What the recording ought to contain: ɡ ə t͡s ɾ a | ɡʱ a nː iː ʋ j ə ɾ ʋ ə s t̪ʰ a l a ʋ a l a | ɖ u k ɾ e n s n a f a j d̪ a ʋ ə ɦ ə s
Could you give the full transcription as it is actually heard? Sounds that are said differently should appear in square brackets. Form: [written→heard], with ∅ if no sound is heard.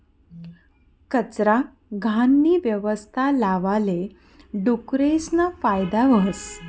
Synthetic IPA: [ɡ→k] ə t͡s ɾ a | ɡʱ a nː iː ʋ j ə [ɾ→∅] ʋ ə s t̪ʰ a l a ʋ a l [a→e] | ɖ u k ɾ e [n→∅] s n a f a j d̪ a ʋ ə ɦ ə s